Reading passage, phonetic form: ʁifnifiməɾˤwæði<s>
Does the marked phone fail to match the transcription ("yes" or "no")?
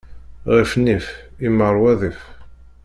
yes